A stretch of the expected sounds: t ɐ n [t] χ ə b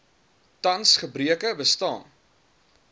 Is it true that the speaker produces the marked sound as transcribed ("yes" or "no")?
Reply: no